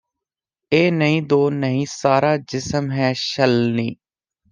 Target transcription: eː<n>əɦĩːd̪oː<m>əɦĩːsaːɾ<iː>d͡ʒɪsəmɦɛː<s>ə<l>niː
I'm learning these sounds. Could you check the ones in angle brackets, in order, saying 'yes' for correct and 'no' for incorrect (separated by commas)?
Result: yes, no, no, no, yes